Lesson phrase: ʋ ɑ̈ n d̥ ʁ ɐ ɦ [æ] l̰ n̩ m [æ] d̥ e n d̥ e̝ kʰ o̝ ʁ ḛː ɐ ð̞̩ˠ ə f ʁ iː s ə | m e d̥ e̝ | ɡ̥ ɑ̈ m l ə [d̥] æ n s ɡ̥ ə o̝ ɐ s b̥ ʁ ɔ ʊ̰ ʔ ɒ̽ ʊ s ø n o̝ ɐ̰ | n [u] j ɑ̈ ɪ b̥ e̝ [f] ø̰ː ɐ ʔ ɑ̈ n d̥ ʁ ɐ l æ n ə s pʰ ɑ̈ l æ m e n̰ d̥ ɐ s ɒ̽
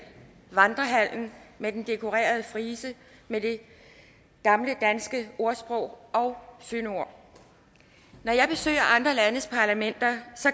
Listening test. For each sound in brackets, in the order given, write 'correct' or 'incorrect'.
correct, incorrect: e, correct, incorrect: ɒ, incorrect: s

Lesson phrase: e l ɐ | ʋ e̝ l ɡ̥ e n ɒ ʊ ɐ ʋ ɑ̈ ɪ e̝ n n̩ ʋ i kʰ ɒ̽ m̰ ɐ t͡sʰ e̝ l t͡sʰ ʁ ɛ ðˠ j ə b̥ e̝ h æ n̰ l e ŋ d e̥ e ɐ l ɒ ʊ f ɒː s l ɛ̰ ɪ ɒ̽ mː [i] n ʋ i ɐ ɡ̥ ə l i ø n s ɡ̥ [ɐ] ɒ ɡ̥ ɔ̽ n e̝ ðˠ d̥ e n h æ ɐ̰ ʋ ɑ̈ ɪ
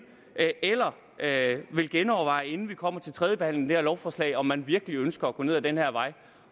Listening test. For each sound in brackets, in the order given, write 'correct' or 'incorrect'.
incorrect: æ, correct

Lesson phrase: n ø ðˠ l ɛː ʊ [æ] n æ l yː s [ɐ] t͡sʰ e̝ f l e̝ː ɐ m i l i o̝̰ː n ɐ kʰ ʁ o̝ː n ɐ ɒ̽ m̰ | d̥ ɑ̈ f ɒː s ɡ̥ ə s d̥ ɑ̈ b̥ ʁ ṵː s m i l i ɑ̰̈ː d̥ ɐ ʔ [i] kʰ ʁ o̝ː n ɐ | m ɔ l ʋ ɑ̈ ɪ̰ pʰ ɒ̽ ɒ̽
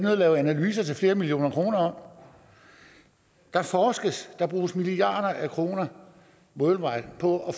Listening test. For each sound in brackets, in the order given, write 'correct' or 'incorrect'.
correct, correct, incorrect: æ

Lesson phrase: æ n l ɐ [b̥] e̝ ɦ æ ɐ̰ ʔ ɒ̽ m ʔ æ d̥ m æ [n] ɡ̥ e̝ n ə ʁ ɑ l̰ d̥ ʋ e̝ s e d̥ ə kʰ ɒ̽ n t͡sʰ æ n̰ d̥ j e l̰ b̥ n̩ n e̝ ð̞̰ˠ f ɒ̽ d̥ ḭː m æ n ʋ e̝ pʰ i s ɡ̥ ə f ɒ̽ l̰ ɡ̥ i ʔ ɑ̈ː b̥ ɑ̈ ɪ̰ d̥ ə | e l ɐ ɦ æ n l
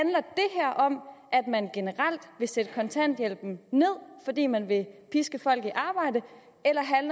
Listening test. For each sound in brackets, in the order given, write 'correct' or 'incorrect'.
incorrect: d̥, correct

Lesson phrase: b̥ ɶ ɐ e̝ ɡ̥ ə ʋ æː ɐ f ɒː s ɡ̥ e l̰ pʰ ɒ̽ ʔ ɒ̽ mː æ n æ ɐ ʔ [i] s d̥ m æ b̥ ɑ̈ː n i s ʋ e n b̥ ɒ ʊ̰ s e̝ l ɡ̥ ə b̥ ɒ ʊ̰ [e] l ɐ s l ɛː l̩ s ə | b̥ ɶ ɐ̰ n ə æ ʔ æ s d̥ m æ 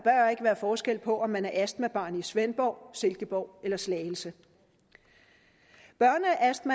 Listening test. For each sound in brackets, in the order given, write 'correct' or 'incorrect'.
incorrect: æ, correct

